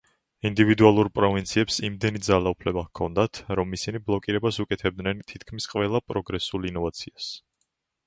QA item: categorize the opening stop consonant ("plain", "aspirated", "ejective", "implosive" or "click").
plain